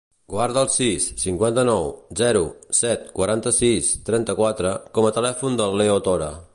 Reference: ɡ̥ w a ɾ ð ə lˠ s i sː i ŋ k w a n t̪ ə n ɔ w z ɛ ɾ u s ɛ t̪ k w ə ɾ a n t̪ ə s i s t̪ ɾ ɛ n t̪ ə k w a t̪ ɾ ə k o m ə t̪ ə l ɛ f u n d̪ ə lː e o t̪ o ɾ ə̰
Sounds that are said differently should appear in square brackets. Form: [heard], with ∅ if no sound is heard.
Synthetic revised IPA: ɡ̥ w a ɾ ð ə lˠ s i sː i ŋ k w a n t̪ ə n ɔ w z ɛ ɾ u s ɛ t̪ k w ə ɾ a n t̪ ə s i s t̪ ɾ ɛ n t̪ ə k w a t̪ ɾ ə k [ɔ] m ə t̪ ə l ɛ f u n d̪ ə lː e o t̪ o ɾ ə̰